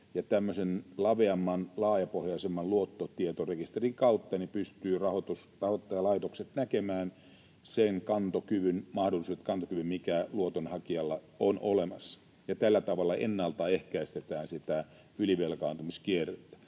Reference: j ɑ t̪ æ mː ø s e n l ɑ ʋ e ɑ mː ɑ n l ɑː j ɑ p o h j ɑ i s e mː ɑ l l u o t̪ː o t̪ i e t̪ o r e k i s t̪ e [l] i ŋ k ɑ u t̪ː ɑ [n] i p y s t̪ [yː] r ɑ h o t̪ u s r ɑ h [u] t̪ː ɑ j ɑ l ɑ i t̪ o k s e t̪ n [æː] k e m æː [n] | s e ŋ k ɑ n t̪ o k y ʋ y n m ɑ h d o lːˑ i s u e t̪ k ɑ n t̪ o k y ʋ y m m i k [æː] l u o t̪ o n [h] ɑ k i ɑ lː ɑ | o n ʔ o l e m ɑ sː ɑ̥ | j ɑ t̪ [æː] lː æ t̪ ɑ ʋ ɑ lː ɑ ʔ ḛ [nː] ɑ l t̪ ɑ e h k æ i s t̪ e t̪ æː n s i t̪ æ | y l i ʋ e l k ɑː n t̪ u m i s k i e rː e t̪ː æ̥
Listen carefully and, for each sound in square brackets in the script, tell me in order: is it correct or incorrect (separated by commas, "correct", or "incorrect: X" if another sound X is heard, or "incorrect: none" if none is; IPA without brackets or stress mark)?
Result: incorrect: r, correct, correct, incorrect: o, incorrect: æ, correct, incorrect: æ, correct, incorrect: æ, correct